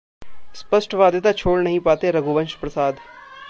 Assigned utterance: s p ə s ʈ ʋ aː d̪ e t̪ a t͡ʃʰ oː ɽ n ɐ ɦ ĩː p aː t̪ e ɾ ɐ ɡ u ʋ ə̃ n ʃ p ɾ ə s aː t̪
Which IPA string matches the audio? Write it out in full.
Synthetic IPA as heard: s p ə s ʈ ʋ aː d̪ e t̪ a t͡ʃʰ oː ɽ n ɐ ɦ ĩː p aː t̪ e ɾ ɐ ɡ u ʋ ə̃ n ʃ p ɾ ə s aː d̪